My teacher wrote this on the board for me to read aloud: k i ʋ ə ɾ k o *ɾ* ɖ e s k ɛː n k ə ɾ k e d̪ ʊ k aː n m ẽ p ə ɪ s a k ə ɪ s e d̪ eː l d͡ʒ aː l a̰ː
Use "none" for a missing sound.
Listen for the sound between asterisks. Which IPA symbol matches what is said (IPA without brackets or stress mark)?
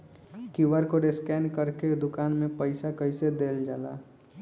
none